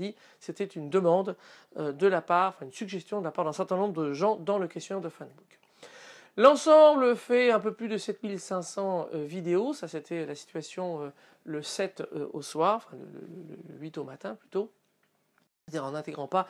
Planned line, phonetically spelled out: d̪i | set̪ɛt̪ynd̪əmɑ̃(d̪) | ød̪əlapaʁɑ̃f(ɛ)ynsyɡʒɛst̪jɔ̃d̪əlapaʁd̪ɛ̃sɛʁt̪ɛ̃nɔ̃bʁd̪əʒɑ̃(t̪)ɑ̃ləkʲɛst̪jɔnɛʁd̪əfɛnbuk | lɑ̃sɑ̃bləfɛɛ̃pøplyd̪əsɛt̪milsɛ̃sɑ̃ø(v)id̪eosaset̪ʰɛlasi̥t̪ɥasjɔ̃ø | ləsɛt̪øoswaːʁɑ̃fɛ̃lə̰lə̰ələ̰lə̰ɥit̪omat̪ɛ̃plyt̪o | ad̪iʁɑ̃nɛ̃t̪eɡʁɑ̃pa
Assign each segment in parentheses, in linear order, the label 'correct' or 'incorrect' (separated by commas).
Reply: correct, incorrect, incorrect, correct